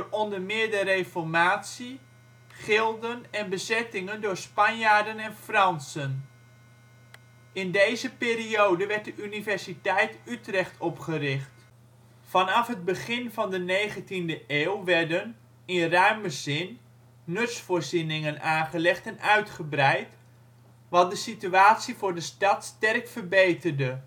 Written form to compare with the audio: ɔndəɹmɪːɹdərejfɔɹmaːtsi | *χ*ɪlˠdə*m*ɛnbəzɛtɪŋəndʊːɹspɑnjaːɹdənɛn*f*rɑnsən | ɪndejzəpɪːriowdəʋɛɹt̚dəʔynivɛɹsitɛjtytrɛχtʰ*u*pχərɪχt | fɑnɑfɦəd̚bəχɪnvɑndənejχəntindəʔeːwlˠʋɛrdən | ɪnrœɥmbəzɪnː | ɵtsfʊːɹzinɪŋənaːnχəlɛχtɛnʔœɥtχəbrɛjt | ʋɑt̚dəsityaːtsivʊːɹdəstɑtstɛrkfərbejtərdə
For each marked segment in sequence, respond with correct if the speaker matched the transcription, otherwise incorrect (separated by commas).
correct, incorrect, correct, incorrect